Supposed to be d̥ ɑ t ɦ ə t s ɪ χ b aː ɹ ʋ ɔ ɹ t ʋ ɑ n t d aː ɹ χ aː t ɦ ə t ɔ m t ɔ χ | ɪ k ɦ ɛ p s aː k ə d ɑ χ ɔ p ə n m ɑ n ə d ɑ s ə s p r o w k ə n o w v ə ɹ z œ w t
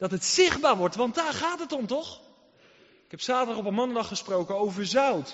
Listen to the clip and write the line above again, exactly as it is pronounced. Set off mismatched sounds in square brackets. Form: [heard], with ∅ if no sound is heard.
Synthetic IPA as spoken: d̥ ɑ t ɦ ə t s ɪ χ b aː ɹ ʋ ɔ ɹ t ʋ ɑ n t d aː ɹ χ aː t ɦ ə t ɔ m t ɔ χ | ɪ k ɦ ɛ p s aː [t] ə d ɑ χ ɔ p ə n m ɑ n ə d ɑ [χ] ə s p r o w k ə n o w v ə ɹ z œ w t